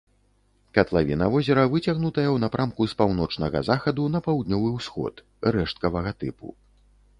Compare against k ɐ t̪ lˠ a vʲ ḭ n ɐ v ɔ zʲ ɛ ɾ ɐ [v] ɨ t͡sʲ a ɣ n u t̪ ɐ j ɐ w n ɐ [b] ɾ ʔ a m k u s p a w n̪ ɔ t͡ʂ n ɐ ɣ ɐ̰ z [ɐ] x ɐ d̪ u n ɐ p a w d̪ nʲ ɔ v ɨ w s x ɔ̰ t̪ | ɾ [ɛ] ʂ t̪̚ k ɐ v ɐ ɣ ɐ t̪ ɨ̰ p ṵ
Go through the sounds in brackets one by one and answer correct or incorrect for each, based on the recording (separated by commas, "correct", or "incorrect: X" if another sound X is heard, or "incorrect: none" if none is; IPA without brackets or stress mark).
correct, incorrect: p, incorrect: a, correct